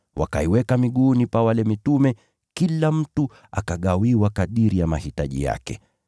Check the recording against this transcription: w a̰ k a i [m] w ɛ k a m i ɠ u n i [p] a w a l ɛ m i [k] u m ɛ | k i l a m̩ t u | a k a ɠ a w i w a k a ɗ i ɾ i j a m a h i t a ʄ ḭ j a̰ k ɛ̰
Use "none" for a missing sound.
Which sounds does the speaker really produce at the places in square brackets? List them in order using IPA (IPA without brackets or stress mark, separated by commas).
none, p, t